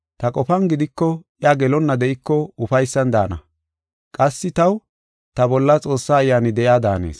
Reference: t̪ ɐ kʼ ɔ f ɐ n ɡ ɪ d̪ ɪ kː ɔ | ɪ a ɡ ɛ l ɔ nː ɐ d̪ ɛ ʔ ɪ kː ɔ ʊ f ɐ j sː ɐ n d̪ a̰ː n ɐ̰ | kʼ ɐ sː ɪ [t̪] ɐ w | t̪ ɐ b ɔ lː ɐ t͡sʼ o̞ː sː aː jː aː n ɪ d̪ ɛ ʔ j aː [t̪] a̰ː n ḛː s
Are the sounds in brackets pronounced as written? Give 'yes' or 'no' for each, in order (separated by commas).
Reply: yes, no